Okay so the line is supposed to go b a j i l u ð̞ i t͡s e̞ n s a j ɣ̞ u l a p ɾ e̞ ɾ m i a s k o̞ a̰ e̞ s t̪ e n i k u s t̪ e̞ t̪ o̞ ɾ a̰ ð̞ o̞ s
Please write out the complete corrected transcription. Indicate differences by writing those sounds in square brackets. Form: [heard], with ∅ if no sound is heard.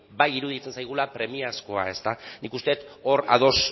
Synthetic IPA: b a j i [ɾ] u ð̞ i t͡s e̞ n s a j ɣ̞ u l a p ɾ e̞ [∅] m i a s k o̞ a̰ e̞ s t̪ [a] n i k u s t̪ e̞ t̪ o̞ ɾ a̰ ð̞ o̞ s